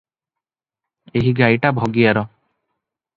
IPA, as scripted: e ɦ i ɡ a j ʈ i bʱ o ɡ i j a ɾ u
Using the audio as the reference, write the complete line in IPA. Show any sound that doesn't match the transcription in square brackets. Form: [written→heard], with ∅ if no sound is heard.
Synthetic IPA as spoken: e ɦ i ɡ a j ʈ [i→a] bʱ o ɡ i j a ɾ [u→ɔ]